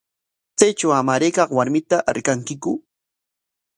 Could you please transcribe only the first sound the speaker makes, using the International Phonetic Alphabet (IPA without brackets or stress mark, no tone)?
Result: t͡s